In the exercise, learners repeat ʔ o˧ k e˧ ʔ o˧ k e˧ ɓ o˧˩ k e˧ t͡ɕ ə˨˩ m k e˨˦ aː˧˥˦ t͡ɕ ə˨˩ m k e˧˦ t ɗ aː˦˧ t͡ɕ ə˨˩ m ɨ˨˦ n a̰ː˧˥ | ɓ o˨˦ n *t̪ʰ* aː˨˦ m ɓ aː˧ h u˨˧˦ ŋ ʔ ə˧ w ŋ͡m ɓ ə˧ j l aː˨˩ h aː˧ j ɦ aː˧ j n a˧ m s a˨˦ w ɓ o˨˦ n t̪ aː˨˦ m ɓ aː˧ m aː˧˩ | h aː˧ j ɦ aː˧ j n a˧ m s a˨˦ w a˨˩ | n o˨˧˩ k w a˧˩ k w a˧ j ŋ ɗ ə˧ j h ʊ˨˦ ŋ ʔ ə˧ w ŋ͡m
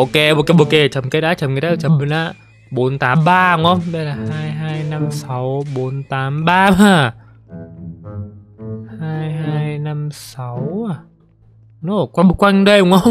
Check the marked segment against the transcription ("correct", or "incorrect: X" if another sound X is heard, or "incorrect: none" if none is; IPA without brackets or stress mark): incorrect: t̪